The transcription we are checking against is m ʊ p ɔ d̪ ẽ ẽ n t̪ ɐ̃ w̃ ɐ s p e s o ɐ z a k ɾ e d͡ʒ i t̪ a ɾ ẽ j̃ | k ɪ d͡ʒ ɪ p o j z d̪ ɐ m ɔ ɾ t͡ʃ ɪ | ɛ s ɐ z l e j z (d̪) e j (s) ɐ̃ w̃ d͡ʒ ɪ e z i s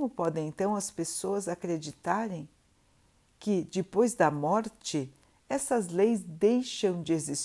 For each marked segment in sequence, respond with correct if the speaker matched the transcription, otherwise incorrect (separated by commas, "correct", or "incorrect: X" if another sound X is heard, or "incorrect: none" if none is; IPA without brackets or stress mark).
correct, incorrect: ʃ